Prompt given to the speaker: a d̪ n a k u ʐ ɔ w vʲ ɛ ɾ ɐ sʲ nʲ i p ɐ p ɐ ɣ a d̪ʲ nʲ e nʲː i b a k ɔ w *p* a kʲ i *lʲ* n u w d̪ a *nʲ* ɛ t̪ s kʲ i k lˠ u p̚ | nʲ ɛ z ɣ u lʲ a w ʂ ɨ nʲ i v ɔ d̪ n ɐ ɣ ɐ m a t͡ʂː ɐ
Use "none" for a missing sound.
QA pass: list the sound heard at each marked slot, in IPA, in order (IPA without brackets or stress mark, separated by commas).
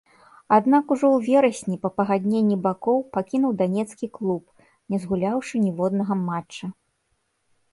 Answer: p, none, nʲ